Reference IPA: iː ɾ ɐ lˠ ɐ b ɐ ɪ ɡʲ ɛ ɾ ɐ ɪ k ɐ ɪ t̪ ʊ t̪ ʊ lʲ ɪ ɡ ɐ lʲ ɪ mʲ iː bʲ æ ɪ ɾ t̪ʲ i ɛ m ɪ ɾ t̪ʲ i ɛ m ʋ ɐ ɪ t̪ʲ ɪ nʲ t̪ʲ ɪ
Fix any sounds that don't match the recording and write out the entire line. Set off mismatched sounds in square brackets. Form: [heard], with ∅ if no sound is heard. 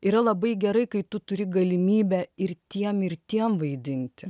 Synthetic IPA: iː ɾ ɐ lˠ ɐ b ɐ ɪ ɡʲ ɛ ɾ ɐ ɪ k ɐ ɪ t̪ ʊ t̪ ʊ [ɾʲ] ɪ ɡ ɐ lʲ ɪ mʲ iː bʲ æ ɪ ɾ t̪ʲ i ɛ m ɪ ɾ t̪ʲ i ɛ m ʋ ɐ ɪ [d̪ʲ] ɪ nʲ t̪ʲ ɪ